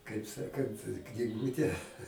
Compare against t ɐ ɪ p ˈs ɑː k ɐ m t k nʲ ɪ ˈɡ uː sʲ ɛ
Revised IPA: k ɐ ɪ p ˈs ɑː k ɐ n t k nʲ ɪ ˈɡ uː tʲ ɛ